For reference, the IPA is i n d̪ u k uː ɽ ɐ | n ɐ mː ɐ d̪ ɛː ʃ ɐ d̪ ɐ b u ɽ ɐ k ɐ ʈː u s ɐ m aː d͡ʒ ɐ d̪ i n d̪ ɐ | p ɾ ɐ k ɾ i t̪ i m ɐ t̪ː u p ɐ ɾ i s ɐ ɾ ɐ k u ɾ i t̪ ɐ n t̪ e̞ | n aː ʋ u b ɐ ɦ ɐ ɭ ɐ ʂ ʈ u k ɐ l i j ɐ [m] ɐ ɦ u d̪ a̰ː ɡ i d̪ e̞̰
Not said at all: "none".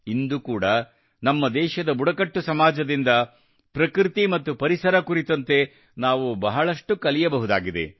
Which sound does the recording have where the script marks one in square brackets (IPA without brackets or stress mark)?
b